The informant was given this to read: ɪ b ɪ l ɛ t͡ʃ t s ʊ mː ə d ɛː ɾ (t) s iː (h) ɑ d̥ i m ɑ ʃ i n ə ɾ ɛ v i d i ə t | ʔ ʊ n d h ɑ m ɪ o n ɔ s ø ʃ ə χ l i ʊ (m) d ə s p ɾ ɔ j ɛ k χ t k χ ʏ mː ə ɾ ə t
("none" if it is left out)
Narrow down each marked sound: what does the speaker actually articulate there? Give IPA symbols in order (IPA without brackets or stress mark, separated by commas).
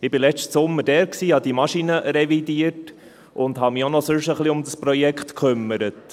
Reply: k, h, m